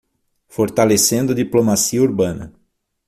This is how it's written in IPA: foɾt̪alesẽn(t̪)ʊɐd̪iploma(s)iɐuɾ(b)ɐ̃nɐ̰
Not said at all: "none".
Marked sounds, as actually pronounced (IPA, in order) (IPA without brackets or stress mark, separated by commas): d̪, s, b